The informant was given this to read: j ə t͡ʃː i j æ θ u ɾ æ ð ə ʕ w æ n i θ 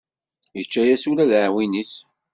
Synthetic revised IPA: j ə t͡ʃː æ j æ s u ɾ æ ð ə ʕ w i n i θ